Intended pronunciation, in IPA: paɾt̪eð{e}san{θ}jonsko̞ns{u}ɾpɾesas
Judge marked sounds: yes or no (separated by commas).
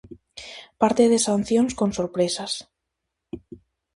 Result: yes, yes, no